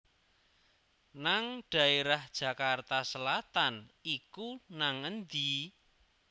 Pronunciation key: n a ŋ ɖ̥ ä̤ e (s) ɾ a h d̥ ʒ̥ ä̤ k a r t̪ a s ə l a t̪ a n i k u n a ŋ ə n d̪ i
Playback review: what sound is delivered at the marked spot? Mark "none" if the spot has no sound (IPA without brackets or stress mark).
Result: none